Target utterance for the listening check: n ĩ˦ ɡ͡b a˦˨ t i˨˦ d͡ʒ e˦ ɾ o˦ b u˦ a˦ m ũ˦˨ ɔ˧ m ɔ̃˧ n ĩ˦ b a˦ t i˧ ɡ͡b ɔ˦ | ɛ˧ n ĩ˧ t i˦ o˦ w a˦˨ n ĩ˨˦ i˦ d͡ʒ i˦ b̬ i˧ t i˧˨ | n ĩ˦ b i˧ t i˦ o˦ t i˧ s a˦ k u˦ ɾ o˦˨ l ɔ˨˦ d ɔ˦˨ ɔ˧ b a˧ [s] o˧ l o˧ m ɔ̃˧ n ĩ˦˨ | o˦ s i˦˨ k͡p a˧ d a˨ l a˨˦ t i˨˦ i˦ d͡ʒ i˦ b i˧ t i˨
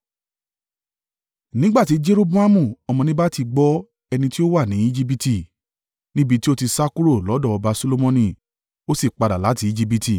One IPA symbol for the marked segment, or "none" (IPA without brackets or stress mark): s